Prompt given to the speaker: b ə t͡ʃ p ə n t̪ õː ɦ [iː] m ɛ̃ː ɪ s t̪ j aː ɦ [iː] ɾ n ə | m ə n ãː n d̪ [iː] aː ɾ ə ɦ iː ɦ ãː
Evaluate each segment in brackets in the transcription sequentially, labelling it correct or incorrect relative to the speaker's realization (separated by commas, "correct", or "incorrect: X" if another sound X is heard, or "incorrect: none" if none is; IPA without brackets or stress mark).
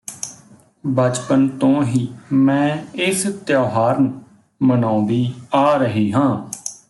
correct, incorrect: aː, correct